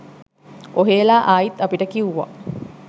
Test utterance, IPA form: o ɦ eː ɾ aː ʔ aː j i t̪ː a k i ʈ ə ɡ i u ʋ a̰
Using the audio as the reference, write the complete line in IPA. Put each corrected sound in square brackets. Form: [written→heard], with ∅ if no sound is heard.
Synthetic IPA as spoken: o ɦ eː [ɾ→l] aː ʔ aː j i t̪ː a [k→p] i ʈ ə [ɡ→k] i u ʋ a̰